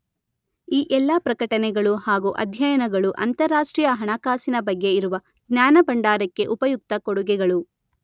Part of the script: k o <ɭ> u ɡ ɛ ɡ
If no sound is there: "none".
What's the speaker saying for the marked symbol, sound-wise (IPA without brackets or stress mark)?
ɽ